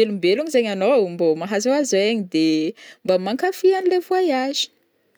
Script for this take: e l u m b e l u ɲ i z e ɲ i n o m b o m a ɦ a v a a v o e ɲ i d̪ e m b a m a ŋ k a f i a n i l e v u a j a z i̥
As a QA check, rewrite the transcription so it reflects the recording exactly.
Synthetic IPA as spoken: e l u m b e l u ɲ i z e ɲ a n o m b o m a ɦ a z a a z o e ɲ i d̪ e m b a m a ŋ k a f i a n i l e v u a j a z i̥

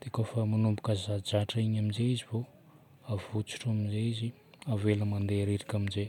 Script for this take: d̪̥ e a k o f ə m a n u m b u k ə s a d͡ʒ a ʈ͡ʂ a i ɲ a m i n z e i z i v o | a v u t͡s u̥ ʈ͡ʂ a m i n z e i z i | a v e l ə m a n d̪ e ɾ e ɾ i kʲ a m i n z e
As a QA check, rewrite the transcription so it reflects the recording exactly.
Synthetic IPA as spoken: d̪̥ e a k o f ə m a n u m b u k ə z a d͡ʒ a ʈ͡ʂ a i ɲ a m i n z e i z i v o | a v u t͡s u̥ ʈ͡ʂ a m i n z e i z i | a v e l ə m a n d̪ e ɾ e ɾ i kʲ a m i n z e

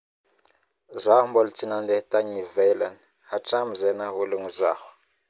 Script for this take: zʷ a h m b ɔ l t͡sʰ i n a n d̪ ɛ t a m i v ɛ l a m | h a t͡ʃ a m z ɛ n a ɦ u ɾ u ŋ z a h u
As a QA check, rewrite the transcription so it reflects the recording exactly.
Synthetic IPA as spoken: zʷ a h m b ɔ l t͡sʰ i n a n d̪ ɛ t a ɲ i v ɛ l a n | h a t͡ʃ a m z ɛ n a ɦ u l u ŋ z a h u

